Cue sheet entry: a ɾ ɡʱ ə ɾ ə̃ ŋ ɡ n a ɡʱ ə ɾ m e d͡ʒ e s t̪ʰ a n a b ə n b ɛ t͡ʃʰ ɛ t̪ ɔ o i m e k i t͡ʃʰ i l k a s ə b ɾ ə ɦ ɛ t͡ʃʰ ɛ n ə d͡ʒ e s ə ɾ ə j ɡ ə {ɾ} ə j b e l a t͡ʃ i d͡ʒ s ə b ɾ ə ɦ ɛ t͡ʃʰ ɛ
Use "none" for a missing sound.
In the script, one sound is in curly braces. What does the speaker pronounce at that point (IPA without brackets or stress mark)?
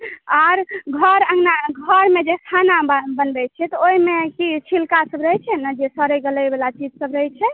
l